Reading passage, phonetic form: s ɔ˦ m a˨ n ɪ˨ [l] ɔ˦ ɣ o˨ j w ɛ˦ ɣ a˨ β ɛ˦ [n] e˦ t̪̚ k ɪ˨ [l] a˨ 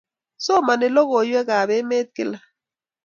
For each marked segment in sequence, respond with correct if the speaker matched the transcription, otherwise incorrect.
correct, incorrect, correct

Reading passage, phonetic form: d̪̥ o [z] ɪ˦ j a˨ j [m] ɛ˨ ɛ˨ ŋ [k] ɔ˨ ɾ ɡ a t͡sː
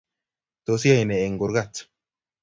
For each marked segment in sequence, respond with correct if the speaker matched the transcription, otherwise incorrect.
incorrect, incorrect, incorrect

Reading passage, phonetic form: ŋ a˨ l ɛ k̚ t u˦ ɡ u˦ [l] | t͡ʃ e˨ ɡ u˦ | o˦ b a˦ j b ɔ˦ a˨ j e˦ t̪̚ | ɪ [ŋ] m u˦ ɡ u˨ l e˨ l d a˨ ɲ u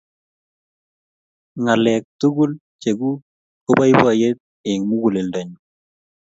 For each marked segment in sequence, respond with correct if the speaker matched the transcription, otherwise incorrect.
correct, correct

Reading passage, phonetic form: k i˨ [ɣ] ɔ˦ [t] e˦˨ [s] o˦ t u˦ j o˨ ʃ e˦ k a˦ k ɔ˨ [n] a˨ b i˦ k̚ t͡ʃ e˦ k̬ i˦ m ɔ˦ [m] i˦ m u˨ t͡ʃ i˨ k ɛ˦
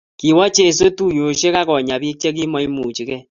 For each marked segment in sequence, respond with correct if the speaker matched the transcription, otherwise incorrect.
incorrect, incorrect, correct, incorrect, incorrect

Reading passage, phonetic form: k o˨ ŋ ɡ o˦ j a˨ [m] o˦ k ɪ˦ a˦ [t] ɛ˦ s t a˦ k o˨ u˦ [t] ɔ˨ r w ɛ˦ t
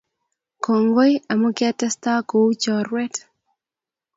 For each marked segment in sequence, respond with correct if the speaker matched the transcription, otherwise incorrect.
correct, correct, incorrect

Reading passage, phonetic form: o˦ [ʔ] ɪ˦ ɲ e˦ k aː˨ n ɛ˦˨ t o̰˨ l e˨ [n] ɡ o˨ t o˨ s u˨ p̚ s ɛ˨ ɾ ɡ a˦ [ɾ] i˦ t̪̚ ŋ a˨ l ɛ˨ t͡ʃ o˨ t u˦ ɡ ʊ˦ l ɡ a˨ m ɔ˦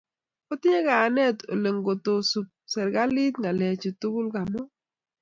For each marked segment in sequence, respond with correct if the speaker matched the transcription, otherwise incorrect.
incorrect, incorrect, incorrect

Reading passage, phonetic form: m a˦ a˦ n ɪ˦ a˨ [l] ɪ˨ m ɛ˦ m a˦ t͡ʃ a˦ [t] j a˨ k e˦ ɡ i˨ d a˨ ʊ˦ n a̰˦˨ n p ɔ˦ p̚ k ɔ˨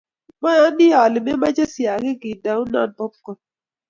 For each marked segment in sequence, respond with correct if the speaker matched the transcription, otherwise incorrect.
correct, incorrect

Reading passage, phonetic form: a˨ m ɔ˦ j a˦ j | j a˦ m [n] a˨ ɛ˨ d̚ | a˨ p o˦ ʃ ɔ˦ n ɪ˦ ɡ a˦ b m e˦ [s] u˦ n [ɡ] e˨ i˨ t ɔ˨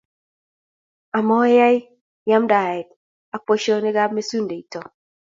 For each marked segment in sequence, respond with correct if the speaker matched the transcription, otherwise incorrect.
incorrect, correct, incorrect

